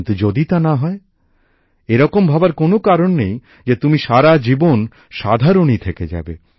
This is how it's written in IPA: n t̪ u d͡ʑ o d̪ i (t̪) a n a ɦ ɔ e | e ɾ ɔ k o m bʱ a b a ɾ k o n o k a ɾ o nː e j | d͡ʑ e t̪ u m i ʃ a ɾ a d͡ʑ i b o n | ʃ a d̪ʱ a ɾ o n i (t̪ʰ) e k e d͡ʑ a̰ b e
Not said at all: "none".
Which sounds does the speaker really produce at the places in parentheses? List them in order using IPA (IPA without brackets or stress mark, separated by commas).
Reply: t̪, t̪ʰ